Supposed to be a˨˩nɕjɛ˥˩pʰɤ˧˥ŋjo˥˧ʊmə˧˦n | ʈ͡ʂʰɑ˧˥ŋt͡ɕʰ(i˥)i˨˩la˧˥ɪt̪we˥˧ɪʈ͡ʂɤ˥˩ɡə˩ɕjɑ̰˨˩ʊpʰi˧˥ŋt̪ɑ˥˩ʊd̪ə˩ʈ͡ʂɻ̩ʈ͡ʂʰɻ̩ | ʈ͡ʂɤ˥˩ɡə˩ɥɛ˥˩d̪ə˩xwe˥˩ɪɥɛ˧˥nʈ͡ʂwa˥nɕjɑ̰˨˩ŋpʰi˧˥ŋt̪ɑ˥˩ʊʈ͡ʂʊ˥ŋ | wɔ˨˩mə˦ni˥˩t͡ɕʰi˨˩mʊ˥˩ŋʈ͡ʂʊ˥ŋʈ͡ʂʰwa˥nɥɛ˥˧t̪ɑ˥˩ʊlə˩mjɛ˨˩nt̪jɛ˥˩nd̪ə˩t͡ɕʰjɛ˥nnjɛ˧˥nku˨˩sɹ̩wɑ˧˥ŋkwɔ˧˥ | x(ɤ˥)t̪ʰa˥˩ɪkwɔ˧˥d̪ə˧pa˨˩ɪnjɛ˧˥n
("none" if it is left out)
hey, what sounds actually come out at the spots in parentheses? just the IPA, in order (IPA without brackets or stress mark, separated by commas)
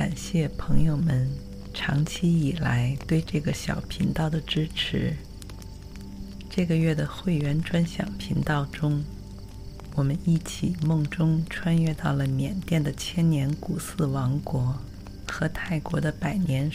i˥, ɤ˧˥